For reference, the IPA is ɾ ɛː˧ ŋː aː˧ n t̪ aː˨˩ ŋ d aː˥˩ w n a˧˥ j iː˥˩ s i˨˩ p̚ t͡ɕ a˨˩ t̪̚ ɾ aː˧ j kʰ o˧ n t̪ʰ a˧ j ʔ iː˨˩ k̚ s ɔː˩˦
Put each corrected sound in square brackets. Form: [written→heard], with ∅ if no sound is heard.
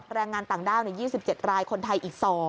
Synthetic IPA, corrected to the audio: ɾ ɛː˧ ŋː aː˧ n t̪ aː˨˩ ŋ d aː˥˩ w n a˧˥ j iː˥˩ s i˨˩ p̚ t͡ɕ [a˨˩→e˨˩] t̪̚ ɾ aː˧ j kʰ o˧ n t̪ʰ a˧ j ʔ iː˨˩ k̚ s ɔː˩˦